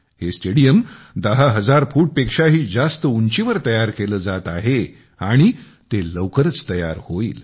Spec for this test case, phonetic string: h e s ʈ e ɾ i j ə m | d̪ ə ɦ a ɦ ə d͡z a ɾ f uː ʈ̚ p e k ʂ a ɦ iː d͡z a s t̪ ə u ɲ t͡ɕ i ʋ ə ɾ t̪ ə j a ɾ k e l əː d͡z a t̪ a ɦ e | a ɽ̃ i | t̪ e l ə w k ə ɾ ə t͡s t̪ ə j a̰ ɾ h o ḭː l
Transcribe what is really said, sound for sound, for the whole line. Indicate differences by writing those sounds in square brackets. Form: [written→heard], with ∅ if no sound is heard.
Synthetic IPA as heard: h e s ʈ e [ɾ→ɽ] i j ə m | d̪ ə ɦ a ɦ ə d͡z a ɾ f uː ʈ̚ p e k ʂ a ɦ iː d͡z a s t̪ ə u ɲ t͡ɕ i ʋ ə ɾ t̪ ə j a ɾ k e l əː d͡z a t̪ a ɦ e | a ɽ̃ i | t̪ e l ə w k ə ɾ ə t͡s t̪ ə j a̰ ɾ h o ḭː l

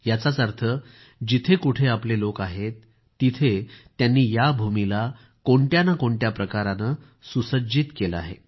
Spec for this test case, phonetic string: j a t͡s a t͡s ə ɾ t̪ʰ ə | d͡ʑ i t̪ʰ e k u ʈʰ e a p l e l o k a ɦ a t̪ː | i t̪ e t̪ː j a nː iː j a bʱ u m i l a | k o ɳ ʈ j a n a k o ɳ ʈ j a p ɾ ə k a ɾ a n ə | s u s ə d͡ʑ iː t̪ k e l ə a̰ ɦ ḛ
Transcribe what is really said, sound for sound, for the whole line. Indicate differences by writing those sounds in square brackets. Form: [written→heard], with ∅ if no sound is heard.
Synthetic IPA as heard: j a t͡s a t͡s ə ɾ t̪ʰ ə | d͡ʑ i t̪ʰ e k u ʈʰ e a p l e l o k a ɦ [a→e] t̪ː | i [t̪→t̪ʰ] e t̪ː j a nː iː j a bʱ u m i l a | k o ɳ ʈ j a n a k o ɳ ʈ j a p ɾ ə k a ɾ a n ə | s u s ə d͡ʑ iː t̪ k e l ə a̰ ɦ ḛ

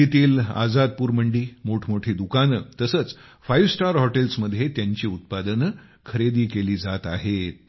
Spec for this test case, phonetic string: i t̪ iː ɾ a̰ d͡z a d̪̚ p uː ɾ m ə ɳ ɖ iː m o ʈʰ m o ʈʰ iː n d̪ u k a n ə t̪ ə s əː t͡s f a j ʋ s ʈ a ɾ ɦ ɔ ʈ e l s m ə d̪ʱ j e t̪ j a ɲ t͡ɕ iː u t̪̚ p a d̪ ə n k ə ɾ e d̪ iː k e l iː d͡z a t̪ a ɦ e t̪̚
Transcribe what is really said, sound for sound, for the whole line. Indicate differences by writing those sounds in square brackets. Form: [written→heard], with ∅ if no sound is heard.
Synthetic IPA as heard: i t̪ iː [ɾ→l] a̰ d͡z a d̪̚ p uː ɾ m ə ɳ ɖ iː m o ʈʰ m o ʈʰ iː [n→∅] d̪ u k a n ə t̪ ə s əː t͡s f a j ʋ s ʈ a ɾ ɦ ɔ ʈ e l s m ə d̪ʱ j e t̪ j a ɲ t͡ɕ iː u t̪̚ p a d̪ ə n [k→kʰ] ə ɾ e d̪ iː k e l iː d͡z a t̪ a ɦ e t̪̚

